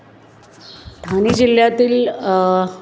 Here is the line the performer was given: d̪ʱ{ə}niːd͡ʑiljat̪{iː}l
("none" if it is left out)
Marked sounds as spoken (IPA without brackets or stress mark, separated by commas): a, iː